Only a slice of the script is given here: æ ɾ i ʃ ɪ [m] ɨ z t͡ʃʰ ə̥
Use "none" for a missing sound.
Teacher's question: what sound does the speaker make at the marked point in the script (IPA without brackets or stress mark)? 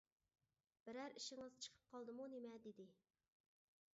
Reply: ŋ